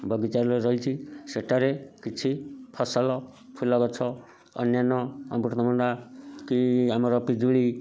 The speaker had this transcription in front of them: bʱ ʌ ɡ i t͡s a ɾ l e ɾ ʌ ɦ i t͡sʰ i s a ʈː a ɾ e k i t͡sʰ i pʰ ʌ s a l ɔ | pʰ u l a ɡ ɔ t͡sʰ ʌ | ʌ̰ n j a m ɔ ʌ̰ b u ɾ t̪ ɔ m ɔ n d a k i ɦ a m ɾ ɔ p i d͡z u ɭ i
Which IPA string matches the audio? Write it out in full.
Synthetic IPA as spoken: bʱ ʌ ɡ i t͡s a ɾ l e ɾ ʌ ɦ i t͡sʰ i s e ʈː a ɾ e k i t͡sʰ i pʰ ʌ s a l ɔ | pʰ u l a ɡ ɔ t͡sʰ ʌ | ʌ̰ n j a n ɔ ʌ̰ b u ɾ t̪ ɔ m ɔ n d a k i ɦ a m ɾ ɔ p i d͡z u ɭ i